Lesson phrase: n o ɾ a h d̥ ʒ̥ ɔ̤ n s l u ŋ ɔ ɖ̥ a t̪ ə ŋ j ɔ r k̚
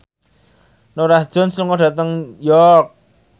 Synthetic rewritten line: n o ɾ a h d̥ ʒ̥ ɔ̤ n s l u ŋ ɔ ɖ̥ a t̪ ə ŋ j ɔ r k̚